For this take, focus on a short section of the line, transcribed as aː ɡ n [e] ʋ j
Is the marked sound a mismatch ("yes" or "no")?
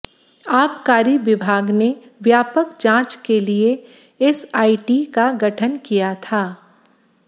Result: no